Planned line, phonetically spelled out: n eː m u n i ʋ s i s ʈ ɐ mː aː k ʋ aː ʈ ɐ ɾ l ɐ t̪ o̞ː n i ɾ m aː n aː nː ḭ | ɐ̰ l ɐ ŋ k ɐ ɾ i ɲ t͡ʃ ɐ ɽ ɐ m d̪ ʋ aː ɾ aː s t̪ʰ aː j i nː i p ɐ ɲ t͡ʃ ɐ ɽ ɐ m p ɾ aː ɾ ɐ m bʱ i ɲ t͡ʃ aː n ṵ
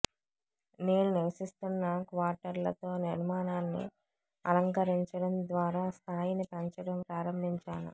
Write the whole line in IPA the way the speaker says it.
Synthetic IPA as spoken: n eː n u n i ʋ s i s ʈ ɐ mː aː k ʋ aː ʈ ɐ ɾ l ɐ t̪ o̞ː n i ɾ m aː n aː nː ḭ | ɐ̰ l ɐ ŋ k ɐ ɾ i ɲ t͡ʃ ɐ ɽ ɐ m d̪ ʋ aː ɾ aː s t̪ʰ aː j i n i p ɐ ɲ t͡ʃ ɐ ɽ ɐ m p ɾ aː ɾ ɐ m bʱ i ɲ t͡ʃ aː n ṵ

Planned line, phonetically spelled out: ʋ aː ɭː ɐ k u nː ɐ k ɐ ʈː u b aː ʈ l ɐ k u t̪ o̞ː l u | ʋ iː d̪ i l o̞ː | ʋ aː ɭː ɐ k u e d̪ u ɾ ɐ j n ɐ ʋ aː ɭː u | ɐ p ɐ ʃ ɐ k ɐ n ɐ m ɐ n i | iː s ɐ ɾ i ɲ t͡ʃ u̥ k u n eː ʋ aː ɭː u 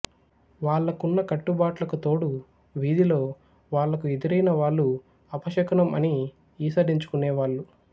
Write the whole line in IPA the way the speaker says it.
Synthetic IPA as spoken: ʋ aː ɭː ɐ k u nː ɐ k ɐ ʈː u b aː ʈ l ɐ k u t̪ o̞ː ɽ u | ʋ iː d̪ i l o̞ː | ʋ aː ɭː ɐ k u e d̪ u ɾ ɐ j n ɐ ʋ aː ɭː u | ɐ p ɐ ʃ ɐ k ɐ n ɐ m ɐ n i | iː s ɐ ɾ i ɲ t͡ʃ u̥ k u n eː ʋ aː ɭː u

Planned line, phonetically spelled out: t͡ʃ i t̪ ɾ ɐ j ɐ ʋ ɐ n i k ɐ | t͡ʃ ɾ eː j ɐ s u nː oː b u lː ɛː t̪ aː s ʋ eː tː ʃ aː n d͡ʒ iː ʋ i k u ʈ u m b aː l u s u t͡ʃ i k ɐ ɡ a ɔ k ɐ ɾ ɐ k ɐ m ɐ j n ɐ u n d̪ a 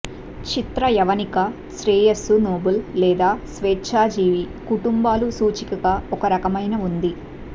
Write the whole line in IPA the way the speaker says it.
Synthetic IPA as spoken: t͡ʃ i t̪ ɾ ɐ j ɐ ʋ ɐ n i k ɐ | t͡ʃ ɾ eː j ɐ s u n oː b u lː ɛː d̪ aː s ʋ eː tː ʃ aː d͡ʒ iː ʋ i k u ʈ u m b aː l u s uː t͡ʃ i k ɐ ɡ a ɔ k ɐ ɾ ɐ k ɐ m ɐ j n ɐ u n d̪ i

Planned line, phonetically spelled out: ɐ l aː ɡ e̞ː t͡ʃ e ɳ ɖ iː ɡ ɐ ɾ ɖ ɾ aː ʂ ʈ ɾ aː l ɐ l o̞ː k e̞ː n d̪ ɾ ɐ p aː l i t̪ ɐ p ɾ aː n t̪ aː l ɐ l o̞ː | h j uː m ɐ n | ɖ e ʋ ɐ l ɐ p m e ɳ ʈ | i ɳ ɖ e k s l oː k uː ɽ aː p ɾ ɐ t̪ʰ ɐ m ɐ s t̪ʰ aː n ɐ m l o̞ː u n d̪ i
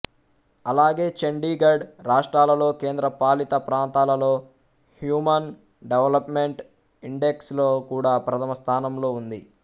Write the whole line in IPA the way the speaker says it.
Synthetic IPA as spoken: ɐ l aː ɡ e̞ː t͡ʃ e ɳ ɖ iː ɡ ɐ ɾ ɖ ɾ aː ʂ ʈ ɾ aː l ɐ l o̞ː k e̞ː n d̪ ɾ ɐ p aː l i t̪ ɐ p ɾ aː n t̪ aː l ɐ l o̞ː | h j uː m ɐ n | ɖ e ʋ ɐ l ɐ p m e ɳ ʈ | i ɳ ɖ e k s l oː k uː ɽ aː p ɾ ɐ t̪ʰ ɐ m ɐ s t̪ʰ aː n ɐ m l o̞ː u n d̪ i

